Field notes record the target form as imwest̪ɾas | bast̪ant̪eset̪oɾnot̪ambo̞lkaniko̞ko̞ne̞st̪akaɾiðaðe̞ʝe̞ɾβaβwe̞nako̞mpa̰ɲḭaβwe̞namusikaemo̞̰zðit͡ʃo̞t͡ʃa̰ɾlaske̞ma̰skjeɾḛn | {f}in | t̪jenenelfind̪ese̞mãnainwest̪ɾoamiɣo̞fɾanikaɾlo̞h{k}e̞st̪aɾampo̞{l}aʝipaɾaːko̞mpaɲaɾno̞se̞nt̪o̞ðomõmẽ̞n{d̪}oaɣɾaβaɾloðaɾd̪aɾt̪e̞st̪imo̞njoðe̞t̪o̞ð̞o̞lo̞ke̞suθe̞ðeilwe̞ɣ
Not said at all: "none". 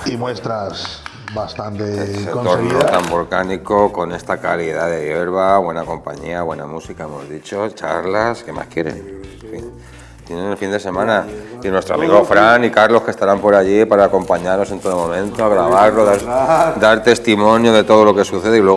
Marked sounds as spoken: f, k, ɾ, t̪

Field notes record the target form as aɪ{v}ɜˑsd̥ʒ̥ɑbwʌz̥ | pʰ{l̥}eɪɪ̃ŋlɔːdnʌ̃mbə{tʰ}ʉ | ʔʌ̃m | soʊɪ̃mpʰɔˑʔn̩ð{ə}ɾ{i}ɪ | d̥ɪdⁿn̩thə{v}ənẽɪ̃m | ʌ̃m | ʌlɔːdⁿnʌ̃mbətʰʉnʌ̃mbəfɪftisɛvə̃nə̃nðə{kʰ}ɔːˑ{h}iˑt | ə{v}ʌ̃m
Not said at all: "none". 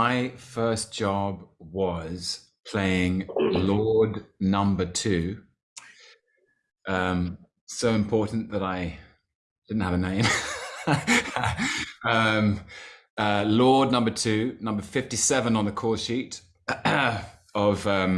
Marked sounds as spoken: f, l̥, tʰ, ə, a, v, kʰ, ʃ, v

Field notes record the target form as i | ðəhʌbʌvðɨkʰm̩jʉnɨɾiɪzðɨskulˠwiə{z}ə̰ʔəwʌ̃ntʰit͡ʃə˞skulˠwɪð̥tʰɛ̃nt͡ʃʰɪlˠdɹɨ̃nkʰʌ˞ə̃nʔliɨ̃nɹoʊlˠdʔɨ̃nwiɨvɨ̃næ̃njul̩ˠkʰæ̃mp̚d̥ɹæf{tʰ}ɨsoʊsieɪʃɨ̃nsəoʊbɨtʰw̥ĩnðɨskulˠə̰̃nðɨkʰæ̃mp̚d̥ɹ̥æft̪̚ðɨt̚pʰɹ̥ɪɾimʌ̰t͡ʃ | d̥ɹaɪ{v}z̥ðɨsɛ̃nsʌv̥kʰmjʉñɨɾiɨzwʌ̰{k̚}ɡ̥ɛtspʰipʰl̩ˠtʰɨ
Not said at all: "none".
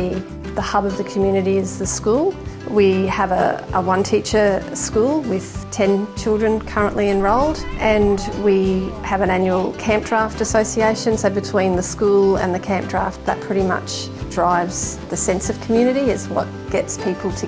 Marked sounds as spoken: v, t, v, t̚

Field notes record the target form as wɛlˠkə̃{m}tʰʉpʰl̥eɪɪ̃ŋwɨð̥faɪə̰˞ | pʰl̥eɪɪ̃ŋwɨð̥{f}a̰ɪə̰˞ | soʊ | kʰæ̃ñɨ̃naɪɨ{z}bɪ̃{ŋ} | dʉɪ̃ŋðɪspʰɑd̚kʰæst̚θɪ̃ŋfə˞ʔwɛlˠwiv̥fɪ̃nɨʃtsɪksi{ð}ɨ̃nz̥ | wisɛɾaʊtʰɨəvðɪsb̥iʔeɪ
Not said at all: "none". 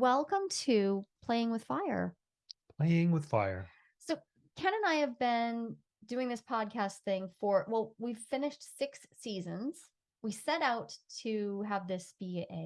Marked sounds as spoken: m, f, v, n, z

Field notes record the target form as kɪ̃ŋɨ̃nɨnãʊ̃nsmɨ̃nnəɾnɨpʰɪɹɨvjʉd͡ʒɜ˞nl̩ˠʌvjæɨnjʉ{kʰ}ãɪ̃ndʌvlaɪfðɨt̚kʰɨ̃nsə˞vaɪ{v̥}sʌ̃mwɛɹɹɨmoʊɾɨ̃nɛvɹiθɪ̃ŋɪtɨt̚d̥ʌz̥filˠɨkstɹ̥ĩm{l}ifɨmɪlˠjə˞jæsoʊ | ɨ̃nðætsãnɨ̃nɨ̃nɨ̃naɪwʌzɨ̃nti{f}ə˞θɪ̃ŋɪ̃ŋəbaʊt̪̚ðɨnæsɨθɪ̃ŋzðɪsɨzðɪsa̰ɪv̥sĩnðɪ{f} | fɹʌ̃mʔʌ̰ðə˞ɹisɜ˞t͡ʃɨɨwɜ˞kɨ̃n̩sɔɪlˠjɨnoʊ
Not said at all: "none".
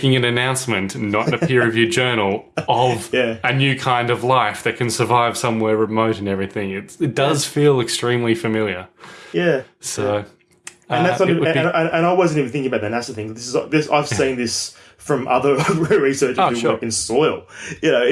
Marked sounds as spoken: kʰ, v̥, l, v, s

